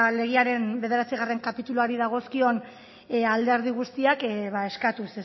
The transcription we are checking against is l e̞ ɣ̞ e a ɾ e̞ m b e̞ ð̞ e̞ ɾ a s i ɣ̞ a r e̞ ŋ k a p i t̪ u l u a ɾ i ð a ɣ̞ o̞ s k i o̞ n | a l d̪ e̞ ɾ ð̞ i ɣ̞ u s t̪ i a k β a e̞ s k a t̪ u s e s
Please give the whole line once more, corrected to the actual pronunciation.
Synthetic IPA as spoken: l e̞ ɣ̞ i a ɾ e̞ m b e̞ ð̞ e̞ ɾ a t͡s i ɣ̞ a r e̞ ŋ k a p i t̪ u l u a ɾ i ð a ɣ̞ o̞ s k i o̞ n | a l d̪ e̞ ɾ ð̞ i ɣ̞ u s t̪ i a k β a e̞ s k a t̪ u s e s